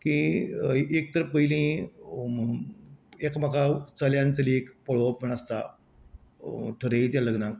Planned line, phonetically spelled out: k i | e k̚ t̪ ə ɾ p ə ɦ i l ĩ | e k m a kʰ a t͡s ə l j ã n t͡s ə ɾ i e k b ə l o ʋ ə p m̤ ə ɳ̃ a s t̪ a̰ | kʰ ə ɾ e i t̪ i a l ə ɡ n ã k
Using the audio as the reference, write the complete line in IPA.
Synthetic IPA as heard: k i | e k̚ t̪ ə ɾ p ə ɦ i l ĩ | e k m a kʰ a t͡s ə l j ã n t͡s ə l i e k p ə ɭ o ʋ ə p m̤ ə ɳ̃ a s t̪ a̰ | ʈʰ ə ɾ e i t̪ j a l ə ɡ n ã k